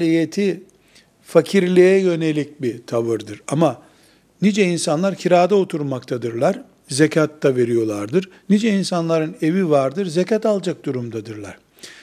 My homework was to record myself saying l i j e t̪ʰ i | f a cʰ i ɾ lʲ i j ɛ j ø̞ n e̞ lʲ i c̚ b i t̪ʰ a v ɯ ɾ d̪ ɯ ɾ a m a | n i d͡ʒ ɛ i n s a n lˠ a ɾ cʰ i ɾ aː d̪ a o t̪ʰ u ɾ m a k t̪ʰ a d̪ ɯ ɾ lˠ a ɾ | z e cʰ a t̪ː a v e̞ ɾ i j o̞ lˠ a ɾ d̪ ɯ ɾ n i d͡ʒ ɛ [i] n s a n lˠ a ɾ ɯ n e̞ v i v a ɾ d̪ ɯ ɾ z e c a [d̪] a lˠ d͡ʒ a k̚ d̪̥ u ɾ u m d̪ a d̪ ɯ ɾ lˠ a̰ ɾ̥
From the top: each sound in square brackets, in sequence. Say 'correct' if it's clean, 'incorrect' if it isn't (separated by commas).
correct, incorrect